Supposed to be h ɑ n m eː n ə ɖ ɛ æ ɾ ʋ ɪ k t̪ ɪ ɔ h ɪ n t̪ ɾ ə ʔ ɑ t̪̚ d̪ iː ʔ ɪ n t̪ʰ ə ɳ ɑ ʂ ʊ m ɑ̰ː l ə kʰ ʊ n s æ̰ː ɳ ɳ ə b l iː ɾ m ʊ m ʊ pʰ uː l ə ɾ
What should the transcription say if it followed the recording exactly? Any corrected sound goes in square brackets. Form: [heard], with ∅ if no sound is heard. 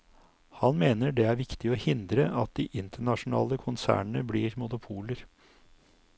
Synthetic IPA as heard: h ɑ n m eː n ə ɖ ɛ æ ɾ ʋ ɪ k t̪ ɪ ɔ h ɪ n [d̪] ɾ ə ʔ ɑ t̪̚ d̪ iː ʔ ɪ n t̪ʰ ə ɳ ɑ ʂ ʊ [n] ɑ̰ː l ə kʰ ʊ n s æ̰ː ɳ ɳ ə b l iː ɾ m ʊ [n] ʊ pʰ uː l ə ɾ